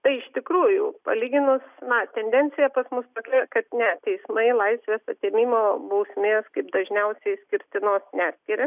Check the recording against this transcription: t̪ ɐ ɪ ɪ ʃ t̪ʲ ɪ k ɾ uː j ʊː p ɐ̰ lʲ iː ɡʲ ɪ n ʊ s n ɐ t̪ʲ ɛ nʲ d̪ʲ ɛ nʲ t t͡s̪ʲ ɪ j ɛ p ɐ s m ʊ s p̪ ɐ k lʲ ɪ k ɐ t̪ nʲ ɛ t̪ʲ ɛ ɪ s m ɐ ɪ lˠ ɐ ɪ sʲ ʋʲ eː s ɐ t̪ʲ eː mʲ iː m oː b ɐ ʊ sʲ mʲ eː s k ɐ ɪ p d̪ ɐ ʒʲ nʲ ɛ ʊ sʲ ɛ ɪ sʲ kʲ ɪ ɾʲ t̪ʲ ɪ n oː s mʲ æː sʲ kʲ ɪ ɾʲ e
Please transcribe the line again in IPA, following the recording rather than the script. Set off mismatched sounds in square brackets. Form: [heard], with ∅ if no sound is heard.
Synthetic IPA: t̪ ɐ ɪ ɪ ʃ t̪ʲ ɪ k ɾ uː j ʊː p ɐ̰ lʲ iː ɡʲ ɪ n ʊ s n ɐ t̪ʲ ɛ nʲ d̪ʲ ɛ nʲ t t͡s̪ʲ ɪ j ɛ p ɐ s m ʊ s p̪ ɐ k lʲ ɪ k ɐ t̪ nʲ ɛ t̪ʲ ɛ ɪ s m ɐ ɪ lˠ ɐ ɪ sʲ ʋʲ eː s ɐ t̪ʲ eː mʲ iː m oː b ɐ ʊ sʲ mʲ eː s k ɐ ɪ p d̪ ɐ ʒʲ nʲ ɛ ʊ sʲ ɛ ɪ sʲ kʲ ɪ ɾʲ t̪ʲ ɪ n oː s [nʲ] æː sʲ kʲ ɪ ɾʲ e